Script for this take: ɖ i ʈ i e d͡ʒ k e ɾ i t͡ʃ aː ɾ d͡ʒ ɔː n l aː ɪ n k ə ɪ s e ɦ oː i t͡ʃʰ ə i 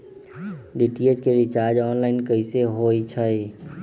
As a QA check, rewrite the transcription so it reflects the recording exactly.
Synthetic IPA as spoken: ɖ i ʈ i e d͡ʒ k e ɾ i t͡ʃ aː ɾ d͡ʒ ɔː n l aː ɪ n k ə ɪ s e ɦ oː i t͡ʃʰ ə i